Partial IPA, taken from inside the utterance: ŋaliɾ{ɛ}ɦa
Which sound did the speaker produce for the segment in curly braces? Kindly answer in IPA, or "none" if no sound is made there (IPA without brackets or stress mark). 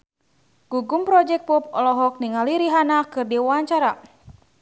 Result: i